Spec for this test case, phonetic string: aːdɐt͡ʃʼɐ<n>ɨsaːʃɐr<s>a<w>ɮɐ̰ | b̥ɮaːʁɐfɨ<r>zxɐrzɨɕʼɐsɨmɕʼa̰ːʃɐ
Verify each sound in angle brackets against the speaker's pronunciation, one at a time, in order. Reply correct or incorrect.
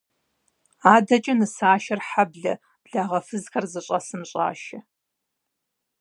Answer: correct, incorrect, incorrect, incorrect

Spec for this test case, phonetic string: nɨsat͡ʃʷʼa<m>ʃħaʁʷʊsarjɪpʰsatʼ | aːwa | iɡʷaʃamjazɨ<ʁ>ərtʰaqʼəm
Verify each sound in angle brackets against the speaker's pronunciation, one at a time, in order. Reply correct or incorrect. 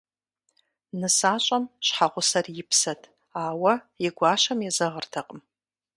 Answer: correct, correct

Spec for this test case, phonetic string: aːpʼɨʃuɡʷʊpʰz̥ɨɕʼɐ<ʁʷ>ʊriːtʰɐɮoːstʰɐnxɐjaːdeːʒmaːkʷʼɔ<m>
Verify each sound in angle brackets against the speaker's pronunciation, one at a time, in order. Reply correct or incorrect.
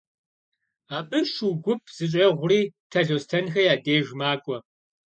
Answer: correct, incorrect

